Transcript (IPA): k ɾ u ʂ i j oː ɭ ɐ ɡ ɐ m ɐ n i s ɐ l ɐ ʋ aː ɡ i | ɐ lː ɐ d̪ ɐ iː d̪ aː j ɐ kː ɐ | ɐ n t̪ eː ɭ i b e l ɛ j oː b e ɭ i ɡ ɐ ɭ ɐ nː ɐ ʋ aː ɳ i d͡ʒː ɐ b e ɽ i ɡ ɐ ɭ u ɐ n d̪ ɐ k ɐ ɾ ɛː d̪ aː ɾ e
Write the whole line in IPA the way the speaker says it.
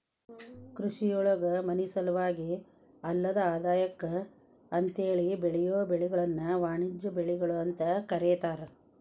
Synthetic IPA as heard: k ɾ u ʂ i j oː ɭ ɐ ɡ ɐ m ɐ n i s ɐ l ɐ ʋ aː ɡ i | ɐ lː ɐ d̪ ɐ aː d̪ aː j ɐ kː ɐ | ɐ n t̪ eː ɭ i b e ɭ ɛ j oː b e ɭ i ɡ ɐ ɭ ɐ nː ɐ ʋ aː ɳ i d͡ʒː ɐ b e ɭ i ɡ ɐ ɭ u ɐ n t̪ ɐ k ɐ ɾ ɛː t̪ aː ɾ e

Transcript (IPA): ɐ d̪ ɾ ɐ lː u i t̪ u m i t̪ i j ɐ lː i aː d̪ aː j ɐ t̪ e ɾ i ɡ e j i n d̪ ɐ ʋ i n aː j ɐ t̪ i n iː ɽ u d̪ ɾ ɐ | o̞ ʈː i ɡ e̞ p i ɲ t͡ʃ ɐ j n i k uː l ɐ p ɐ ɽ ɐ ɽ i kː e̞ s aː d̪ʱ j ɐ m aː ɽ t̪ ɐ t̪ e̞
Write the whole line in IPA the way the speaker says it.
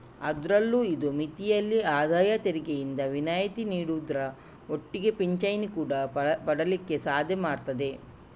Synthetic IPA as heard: ɐ d̪ ɾ ɐ lː u i d̪ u m i t̪ i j ɐ lː i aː d̪ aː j ɐ t̪ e ɾ i ɡ e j i n d̪ ɐ ʋ i n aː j ɐ t̪ i n iː ɽ u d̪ ɾ ɐ | o̞ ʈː i ɡ e̞ p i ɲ t͡ʃ ɐ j n i k uː ɽ ɐ p ɐ ɽ ɐ l i kː e̞ s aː d̪ʱ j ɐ m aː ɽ t̪ ɐ d̪ e̞

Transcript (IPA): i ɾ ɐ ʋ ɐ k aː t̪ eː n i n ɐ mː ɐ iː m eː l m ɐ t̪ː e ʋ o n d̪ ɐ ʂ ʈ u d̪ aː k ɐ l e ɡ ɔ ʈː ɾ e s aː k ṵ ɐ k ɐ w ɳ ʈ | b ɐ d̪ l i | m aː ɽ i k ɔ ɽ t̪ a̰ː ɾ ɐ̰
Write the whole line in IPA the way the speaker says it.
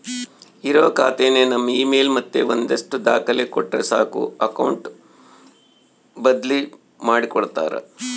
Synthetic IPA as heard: i ɾ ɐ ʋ ɐ k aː t̪ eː n e n ɐ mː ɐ iː m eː l m ɐ t̪ː e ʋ o n d̪ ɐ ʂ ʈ u d̪ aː k ɐ l e k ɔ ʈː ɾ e s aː k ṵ ɐ k ɐ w ɳ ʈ | b ɐ d̪ l i | m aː ɽ i k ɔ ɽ t̪ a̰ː ɾ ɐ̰

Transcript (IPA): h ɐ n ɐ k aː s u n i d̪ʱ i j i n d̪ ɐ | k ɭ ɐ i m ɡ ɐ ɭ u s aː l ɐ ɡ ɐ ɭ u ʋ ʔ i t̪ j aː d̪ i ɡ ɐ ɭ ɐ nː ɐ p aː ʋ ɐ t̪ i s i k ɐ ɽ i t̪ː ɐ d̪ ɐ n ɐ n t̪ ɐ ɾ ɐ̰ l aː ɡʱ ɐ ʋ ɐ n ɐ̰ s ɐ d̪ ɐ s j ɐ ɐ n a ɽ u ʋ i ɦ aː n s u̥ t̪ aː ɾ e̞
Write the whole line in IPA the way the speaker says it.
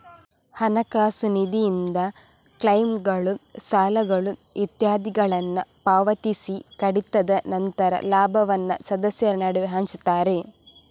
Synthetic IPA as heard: h ɐ n ɐ k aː s u n i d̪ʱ i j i n d̪ ɐ | k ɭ ɐ j m ɡ ɐ ɭ u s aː l ɐ ɡ ɐ ɭ u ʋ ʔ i t̪ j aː d̪ i ɡ ɐ ɭ ɐ nː ɐ p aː ʋ ɐ t̪ i s i k ɐ ɽ i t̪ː ɐ d̪ ɐ n ɐ n t̪ ɐ ɾ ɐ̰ l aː bʱ ɐ ʋ ɐ nː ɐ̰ s ɐ d̪ ɐ s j ɐ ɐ n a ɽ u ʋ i ɦ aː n s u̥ t̪ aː ɾ e̞

